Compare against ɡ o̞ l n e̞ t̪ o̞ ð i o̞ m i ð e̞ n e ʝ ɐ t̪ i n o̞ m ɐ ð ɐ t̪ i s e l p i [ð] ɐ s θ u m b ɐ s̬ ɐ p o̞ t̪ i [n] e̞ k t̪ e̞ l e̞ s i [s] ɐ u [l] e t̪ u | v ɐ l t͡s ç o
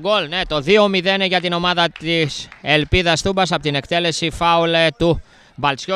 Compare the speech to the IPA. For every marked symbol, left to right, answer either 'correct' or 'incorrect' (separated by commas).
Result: correct, correct, incorrect, correct